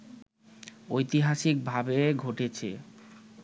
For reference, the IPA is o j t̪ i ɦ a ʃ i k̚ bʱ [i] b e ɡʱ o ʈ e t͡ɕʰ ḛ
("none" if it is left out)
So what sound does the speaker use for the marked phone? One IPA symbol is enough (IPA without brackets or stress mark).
a